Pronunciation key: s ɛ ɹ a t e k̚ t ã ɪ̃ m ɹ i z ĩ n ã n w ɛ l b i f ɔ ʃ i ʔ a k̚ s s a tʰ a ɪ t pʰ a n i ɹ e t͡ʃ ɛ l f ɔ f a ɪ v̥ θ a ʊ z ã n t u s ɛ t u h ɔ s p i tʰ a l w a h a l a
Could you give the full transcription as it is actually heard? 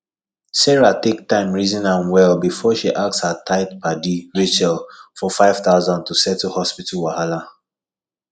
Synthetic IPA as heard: s ɛ ɹ a t e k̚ t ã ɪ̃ m ɹ i z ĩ n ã n w ɛ l b i f ɔ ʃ i ʔ a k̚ s h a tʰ a ɪ t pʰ a d i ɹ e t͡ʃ ɛ l f ɔ f a ɪ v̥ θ a ʊ z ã n t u s ɛ t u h ɔ s p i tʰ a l w a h a l a